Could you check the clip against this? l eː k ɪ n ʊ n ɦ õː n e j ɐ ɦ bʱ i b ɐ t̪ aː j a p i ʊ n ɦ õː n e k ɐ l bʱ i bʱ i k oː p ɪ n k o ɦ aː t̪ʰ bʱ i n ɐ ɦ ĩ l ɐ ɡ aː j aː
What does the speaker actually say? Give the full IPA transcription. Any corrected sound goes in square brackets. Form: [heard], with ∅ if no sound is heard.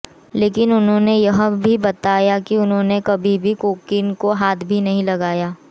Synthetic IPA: l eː k ɪ n ʊ n ɦ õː n e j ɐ ɦ bʱ i b ɐ t̪ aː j a [k] i ʊ n ɦ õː n e k ɐ [∅] bʱ i bʱ i k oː [k] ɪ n k o ɦ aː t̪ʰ bʱ i n ɐ ɦ ĩ l ɐ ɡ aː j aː